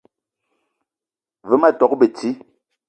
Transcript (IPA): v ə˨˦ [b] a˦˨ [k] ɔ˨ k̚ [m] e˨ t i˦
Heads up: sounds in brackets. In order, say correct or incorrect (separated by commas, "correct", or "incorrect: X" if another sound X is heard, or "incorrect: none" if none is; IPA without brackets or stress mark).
incorrect: m, incorrect: t, incorrect: b